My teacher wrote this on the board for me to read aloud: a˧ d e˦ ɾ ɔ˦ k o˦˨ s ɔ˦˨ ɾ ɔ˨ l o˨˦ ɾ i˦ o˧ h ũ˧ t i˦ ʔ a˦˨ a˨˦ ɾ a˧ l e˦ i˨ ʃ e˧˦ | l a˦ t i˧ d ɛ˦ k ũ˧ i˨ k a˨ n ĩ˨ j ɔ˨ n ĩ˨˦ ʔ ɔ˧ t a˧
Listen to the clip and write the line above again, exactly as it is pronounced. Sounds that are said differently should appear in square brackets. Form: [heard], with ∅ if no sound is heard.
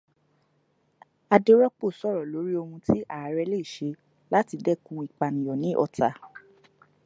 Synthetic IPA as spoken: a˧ d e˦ ɾ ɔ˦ [k͡p] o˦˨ s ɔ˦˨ ɾ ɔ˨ l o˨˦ ɾ i˦ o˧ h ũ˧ t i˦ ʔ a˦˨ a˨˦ ɾ [ɛ˧] l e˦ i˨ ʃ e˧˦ | l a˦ t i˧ d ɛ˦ k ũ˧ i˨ [k͡p] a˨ n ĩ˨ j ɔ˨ n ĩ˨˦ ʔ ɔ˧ t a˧